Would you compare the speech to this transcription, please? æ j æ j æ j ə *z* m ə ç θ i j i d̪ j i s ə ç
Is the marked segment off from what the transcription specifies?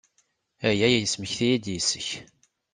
yes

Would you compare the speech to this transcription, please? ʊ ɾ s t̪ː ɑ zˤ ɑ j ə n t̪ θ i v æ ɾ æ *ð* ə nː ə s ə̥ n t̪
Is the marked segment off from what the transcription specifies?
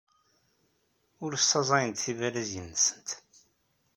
yes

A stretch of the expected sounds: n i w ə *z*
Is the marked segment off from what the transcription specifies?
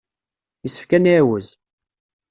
no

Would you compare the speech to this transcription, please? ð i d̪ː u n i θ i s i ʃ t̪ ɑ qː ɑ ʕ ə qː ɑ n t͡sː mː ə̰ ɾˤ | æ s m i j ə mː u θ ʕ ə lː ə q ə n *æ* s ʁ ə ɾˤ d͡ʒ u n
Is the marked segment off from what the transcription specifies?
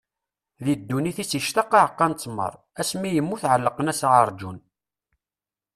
no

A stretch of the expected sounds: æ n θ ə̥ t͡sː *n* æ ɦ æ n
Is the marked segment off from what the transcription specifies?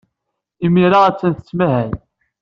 yes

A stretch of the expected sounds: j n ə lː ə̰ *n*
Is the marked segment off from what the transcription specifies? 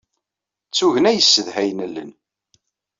no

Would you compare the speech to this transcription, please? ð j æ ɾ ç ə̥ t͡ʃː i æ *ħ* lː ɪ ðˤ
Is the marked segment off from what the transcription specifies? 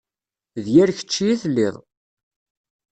yes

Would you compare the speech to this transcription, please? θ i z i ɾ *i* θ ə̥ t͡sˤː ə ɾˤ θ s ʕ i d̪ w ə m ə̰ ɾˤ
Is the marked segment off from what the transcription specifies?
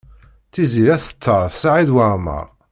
yes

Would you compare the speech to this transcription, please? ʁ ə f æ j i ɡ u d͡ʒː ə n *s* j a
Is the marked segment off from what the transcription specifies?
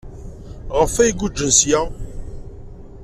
no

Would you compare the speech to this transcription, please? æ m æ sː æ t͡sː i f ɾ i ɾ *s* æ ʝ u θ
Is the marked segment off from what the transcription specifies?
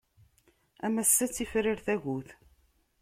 yes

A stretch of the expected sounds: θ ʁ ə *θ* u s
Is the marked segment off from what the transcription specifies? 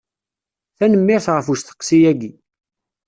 yes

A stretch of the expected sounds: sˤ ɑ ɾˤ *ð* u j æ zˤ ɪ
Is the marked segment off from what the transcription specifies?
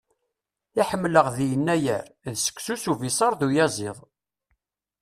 no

